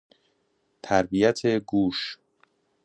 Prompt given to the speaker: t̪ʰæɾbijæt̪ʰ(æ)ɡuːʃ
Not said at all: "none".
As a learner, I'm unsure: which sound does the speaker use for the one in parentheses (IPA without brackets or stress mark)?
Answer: e